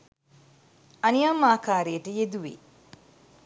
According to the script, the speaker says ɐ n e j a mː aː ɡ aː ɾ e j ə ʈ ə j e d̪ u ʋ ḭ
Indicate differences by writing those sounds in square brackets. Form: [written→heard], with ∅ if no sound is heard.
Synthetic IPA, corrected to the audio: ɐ n [e→i] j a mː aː [ɡ→k] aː ɾ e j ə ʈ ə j e d̪ u ʋ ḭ